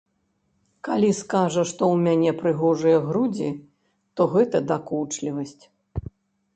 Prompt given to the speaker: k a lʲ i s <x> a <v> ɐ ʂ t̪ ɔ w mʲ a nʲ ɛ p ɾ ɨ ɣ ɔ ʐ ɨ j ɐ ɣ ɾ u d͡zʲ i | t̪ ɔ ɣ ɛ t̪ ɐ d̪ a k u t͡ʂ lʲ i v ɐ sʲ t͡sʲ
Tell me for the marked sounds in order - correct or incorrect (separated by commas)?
incorrect, incorrect